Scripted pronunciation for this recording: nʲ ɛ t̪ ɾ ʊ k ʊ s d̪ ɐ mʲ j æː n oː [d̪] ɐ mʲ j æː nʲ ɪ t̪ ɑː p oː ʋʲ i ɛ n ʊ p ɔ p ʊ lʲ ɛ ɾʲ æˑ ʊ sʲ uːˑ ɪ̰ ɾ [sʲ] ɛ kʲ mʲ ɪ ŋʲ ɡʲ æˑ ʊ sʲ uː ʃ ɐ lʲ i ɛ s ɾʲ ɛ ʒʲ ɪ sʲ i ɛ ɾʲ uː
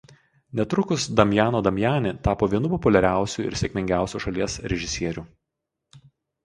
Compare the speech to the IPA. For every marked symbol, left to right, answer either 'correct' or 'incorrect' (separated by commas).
correct, correct